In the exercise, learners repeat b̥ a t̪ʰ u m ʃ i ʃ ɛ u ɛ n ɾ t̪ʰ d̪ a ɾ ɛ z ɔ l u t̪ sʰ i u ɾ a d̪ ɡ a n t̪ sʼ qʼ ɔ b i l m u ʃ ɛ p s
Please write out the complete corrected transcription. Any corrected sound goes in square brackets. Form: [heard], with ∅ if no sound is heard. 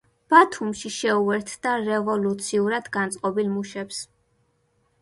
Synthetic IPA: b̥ a t̪ʰ u m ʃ i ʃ ɛ u ɛ [∅] ɾ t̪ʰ d̪ a ɾ ɛ [v] ɔ l u t̪ sʰ i u ɾ a d̪ ɡ a n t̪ sʼ qʼ ɔ b i l m u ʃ ɛ p s